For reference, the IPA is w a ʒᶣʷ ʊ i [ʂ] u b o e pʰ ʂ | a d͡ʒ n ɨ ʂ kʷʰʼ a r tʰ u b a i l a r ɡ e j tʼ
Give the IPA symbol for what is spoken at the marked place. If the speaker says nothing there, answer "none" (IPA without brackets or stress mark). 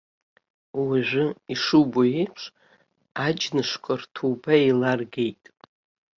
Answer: ʂ